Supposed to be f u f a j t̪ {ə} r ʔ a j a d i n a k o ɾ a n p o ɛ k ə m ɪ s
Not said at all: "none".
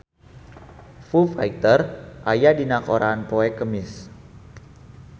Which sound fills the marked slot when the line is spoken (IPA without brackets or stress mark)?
ə